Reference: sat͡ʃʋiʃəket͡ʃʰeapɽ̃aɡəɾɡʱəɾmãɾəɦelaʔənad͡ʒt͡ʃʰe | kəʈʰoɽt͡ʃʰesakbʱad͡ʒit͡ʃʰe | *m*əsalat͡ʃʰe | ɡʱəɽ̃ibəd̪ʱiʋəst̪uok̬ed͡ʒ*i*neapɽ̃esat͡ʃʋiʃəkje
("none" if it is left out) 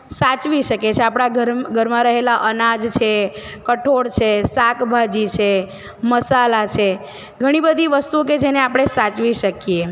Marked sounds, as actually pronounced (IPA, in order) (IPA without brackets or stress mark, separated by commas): m, e